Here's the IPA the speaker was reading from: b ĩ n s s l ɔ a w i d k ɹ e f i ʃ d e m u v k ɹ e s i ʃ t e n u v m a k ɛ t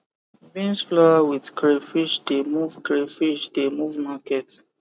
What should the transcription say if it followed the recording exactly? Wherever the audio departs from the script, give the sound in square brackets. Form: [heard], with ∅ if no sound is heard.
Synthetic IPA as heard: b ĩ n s [f] l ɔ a w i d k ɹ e f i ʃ d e m u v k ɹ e [f] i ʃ [d] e [m] u v m a k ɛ t